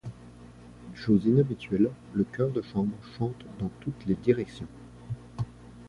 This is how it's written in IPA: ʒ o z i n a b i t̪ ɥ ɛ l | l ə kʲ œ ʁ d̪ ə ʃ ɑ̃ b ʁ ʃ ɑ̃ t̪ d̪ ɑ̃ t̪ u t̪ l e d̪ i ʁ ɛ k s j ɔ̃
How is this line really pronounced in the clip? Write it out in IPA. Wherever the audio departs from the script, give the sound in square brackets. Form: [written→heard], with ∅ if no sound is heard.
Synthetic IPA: [ʒ→ʃ] o z i n a b i t̪ ɥ ɛ l | l ə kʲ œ ʁ d̪ ə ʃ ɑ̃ b ʁ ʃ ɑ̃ t̪ d̪ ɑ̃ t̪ u t̪ l e d̪ i ʁ ɛ k s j ɔ̃